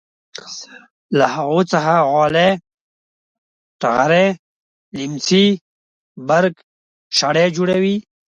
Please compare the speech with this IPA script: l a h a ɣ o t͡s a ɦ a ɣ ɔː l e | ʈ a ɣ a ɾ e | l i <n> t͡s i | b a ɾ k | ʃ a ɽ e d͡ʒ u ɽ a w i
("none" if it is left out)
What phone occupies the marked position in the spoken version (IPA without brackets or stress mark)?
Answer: m